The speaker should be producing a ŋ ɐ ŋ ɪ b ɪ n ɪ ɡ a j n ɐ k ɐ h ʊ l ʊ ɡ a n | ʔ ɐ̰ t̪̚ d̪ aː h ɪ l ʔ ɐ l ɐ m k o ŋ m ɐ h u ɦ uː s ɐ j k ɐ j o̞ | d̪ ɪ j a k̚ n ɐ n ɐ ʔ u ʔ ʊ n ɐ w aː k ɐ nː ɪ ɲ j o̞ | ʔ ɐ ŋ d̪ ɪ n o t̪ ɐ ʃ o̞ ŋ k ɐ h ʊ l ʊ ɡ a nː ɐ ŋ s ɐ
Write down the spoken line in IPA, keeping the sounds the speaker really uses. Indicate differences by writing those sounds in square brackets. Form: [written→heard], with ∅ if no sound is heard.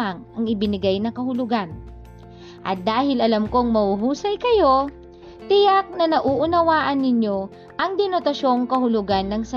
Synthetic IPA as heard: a ŋ ɐ ŋ ɪ b ɪ n ɪ ɡ a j n ɐ k ɐ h ʊ l ʊ ɡ a n | ʔ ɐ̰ t̪̚ d̪ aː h ɪ l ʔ ɐ l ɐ m k o ŋ m ɐ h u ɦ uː s ɐ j k ɐ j o̞ | [d̪→t̪] ɪ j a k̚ n ɐ n ɐ ʔ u ʔ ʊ n ɐ w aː [k→ʔ] ɐ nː ɪ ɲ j o̞ | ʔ ɐ ŋ d̪ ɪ n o t̪ ɐ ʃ o̞ ŋ k ɐ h ʊ l ʊ ɡ a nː ɐ ŋ s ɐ